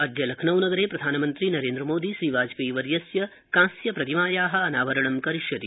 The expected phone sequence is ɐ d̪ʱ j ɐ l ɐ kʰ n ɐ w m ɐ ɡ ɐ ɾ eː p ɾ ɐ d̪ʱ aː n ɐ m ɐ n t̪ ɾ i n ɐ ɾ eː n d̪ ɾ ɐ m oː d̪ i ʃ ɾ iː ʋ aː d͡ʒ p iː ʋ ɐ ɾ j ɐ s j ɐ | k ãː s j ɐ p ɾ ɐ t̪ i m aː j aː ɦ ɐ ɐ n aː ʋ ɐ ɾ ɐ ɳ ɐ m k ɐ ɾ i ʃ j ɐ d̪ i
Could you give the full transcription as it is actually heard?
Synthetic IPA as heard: ɐ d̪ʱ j ɐ l ɐ kʰ n ɐ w n ɐ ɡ ɐ ɾ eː p ɾ ɐ d̪ʱ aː n ɐ m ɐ n t̪ ɾ i n ɐ ɾ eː n d̪ ɾ ɐ m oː d̪ i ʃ ɾ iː ʋ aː d͡ʒ p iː ʋ ɐ ɾ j ɐ s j ɐ | k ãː s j ɐ p ɾ ɐ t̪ i m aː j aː ɦ ɐ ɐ n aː ʋ ɐ ɾ ɐ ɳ ɐ m k ɐ ɾ i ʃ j ɐ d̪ i